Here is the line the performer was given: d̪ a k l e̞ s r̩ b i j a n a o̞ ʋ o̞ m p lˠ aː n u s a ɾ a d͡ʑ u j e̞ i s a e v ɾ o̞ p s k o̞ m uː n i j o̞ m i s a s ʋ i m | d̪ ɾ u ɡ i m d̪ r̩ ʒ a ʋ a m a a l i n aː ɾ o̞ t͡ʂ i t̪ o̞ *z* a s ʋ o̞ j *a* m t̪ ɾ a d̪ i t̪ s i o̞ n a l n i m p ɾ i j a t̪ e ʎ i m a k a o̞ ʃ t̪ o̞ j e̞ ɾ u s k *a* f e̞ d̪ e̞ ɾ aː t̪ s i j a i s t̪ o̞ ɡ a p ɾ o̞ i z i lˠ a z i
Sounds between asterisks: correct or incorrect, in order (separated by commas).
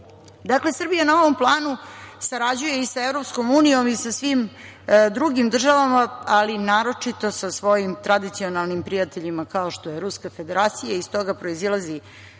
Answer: incorrect, incorrect, correct